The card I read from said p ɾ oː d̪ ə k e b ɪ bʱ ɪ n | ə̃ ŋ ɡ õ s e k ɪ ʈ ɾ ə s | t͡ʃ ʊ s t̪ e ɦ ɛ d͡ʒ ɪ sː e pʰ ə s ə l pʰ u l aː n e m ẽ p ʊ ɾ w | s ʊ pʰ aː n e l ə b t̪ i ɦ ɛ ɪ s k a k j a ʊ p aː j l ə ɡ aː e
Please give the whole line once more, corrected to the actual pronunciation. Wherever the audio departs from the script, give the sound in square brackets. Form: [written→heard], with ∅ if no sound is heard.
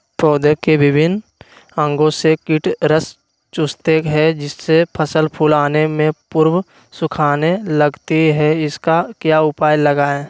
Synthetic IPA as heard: p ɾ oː d̪ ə k e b ɪ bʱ ɪ n | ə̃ ŋ ɡ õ s e k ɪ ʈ ɾ ə s | t͡ʃ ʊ s t̪ e ɦ ɛ d͡ʒ ɪ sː e pʰ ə s ə l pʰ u l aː n e m ẽ p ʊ ɾ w | s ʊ [pʰ→kʰ] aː n e l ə [b→ɡ] t̪ i ɦ ɛ ɪ s k a k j a ʊ p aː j l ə ɡ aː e